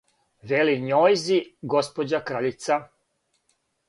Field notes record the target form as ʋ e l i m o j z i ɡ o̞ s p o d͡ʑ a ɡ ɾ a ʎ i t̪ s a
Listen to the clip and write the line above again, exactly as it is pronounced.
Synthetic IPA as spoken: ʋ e l i ɲ o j z i ɡ o̞ s p o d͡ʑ a k ɾ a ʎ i t̪ s a